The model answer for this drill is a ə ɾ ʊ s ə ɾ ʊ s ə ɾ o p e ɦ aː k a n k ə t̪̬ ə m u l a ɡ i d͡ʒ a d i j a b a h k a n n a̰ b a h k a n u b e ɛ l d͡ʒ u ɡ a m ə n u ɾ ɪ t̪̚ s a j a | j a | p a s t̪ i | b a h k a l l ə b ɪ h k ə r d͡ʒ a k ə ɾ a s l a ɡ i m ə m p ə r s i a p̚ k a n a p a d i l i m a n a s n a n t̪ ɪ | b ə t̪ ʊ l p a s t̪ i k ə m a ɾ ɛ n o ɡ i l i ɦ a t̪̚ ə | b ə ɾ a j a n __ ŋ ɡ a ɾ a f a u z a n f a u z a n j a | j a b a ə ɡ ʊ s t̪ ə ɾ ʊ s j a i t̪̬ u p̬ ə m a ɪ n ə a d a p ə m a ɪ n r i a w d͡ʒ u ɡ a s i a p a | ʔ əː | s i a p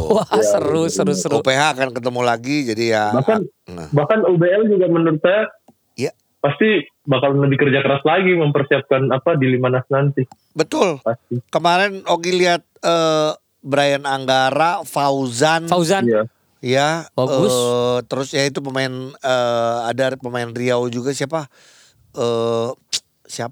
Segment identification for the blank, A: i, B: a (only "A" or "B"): B